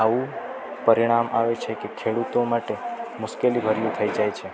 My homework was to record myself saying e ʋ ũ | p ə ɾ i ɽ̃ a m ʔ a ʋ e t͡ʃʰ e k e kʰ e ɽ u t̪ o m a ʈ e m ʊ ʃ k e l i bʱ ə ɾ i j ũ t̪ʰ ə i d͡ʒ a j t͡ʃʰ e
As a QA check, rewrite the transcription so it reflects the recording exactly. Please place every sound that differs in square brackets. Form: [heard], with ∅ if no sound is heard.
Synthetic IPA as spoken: [a] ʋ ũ | p ə ɾ i ɽ̃ a m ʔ a ʋ e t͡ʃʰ e k e kʰ e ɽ u t̪ o m a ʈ e m ʊ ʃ k e l i bʱ ə ɾ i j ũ t̪ʰ ə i d͡ʒ a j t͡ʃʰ e